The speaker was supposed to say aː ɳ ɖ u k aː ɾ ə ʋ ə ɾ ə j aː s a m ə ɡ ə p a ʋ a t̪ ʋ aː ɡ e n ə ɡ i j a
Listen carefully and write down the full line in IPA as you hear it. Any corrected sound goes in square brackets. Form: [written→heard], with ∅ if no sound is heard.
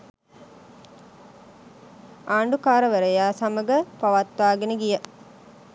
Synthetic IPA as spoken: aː ɳ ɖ u k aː ɾ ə ʋ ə ɾ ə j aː s a m ə ɡ ə p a ʋ a t̪ ʋ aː ɡ e n ə ɡ i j [a→ə]